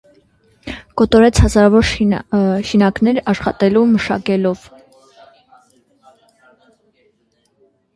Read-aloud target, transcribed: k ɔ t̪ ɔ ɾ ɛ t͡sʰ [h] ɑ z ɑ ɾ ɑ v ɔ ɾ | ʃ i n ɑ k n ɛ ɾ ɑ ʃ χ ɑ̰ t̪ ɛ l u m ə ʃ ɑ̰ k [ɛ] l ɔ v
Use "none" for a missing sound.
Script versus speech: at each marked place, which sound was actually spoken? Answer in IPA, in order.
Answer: h, ɛ

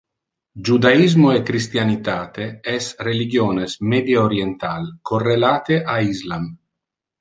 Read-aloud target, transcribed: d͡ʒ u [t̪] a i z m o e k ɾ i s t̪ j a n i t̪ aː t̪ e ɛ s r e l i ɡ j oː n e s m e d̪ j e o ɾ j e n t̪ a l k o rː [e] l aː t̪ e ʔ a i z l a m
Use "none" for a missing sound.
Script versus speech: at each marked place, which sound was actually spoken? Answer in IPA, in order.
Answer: d̪, e

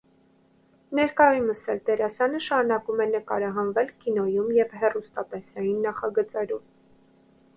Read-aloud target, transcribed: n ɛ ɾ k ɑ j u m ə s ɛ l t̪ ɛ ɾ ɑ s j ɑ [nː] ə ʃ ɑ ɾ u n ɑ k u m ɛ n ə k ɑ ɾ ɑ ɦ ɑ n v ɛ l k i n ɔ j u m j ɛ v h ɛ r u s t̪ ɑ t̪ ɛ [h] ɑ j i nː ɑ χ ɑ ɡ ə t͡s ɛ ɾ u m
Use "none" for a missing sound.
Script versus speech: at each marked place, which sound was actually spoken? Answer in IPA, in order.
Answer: n, s

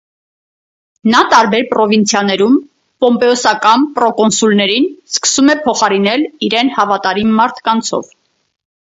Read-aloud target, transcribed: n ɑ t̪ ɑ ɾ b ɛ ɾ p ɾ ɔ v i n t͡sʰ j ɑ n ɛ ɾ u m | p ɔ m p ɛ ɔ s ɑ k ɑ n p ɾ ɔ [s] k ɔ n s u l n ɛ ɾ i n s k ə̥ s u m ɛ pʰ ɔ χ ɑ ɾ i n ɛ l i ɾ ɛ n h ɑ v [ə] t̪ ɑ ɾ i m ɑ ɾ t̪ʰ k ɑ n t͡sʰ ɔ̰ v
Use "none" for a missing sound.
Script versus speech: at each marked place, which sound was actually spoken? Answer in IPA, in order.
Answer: none, ɑ

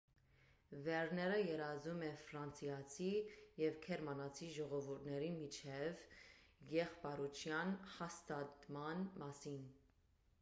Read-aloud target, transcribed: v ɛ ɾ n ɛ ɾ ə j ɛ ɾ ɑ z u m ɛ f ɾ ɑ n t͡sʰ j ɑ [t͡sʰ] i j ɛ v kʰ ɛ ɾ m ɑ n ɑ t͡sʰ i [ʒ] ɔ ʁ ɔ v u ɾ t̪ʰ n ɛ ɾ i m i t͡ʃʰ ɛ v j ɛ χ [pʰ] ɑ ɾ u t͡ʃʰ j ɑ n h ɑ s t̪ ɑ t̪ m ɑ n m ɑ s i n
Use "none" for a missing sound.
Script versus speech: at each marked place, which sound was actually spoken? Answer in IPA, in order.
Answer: t͡sʰ, ʒ, p

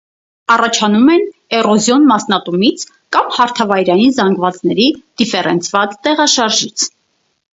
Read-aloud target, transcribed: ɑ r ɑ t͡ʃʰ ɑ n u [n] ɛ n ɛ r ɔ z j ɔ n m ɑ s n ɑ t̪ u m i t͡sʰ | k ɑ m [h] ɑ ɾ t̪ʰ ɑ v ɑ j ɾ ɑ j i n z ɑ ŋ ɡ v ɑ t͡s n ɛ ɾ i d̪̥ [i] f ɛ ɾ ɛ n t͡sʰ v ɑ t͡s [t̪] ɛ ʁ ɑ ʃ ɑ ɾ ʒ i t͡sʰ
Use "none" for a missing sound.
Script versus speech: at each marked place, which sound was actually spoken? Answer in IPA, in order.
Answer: m, h, i, t̪

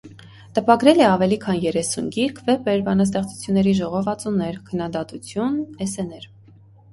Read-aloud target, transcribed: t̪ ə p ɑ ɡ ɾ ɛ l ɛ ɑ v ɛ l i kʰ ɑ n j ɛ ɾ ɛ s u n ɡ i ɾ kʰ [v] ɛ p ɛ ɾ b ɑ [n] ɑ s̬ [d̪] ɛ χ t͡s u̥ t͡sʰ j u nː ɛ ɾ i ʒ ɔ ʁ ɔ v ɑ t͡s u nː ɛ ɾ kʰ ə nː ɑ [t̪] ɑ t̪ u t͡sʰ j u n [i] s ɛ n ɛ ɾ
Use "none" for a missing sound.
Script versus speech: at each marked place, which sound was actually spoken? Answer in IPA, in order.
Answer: v, n, t̪, d̪, ɛ

